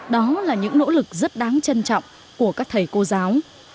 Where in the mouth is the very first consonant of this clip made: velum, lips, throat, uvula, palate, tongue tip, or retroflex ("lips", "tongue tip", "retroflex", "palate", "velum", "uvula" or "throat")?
tongue tip